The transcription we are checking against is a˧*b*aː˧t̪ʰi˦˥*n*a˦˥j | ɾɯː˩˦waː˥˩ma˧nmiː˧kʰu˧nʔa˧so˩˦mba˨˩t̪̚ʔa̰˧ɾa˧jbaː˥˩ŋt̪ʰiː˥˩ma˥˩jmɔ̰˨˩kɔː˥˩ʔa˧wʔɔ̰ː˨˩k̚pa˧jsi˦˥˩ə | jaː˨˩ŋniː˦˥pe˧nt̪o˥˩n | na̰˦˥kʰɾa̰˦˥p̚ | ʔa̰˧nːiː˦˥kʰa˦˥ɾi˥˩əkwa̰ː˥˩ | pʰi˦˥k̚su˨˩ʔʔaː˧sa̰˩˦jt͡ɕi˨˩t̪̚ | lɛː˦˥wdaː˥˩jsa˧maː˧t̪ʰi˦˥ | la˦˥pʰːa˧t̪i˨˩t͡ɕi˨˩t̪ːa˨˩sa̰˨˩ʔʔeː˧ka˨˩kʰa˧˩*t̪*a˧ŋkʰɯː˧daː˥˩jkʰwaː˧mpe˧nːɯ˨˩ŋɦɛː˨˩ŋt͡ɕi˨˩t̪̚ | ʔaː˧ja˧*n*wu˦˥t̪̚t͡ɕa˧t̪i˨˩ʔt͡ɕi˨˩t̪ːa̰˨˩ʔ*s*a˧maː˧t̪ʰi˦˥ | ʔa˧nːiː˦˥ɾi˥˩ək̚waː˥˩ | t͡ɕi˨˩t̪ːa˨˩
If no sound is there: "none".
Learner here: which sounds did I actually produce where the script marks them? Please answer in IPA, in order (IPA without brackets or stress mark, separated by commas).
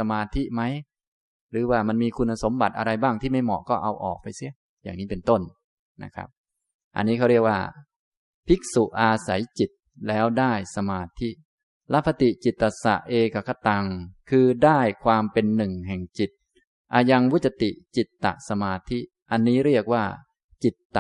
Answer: m, m, t̪, ŋ, s